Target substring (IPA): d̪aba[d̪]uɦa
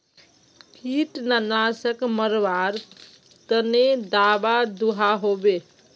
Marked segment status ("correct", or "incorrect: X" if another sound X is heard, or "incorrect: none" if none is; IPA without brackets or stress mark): correct